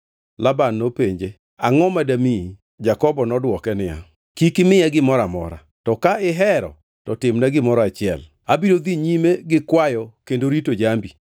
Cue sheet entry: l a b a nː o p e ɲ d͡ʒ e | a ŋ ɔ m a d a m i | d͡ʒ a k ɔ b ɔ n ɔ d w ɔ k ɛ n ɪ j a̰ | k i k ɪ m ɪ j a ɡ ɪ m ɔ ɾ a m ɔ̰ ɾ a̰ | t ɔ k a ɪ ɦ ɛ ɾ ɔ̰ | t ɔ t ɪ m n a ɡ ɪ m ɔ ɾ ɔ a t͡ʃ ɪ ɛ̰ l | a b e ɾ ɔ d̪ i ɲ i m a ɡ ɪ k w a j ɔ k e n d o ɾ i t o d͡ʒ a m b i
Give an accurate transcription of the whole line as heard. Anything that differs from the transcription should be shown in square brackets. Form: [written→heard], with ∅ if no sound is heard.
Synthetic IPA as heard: l a b a nː o p e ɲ d͡ʒ e | a ŋ ɔ m a d a m i | d͡ʒ a k ɔ b ɔ n ɔ d w ɔ k ɛ n ɪ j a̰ | k i k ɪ m ɪ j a ɡ ɪ m ɔ ɾ a m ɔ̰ ɾ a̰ | t ɔ k a ɪ ɦ ɛ ɾ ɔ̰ | t ɔ t ɪ m n a ɡ ɪ m ɔ ɾ ɔ a t͡ʃ ɪ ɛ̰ l | a b [e→i] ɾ [ɔ→o] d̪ i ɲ i m [a→e] ɡ ɪ k w a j ɔ k e n d o ɾ i t o d͡ʒ a m b i